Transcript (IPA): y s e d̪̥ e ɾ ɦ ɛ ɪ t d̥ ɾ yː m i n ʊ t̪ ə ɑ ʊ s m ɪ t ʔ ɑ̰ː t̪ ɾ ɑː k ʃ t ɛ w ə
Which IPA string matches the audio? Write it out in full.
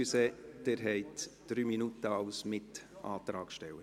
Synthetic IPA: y s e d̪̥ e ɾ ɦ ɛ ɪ t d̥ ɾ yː m i n u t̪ ə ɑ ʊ s m ɪ t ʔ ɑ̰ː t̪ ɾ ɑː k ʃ t ɛ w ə